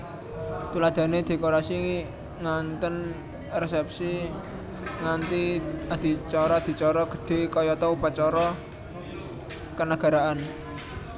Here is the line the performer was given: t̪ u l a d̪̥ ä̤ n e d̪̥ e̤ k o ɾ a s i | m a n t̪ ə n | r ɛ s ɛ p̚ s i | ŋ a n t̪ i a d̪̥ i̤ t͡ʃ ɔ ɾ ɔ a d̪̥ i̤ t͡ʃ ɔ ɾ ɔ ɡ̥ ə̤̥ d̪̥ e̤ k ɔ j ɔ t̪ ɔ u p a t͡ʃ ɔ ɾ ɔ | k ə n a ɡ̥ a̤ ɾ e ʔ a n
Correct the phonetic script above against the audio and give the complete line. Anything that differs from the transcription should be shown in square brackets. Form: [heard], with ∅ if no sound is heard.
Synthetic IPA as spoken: t̪ u l a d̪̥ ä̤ n e d̪̥ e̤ k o ɾ a s i | [ŋ] a n t̪ ə n | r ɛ s ɛ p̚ s i | ŋ a n t̪ i a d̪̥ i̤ t͡ʃ ɔ ɾ ɔ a d̪̥ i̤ t͡ʃ ɔ ɾ ɔ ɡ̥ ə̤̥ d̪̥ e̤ k ɔ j ɔ t̪ ɔ u p a t͡ʃ ɔ ɾ ɔ | k ə n a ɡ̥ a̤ ɾ [a] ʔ a n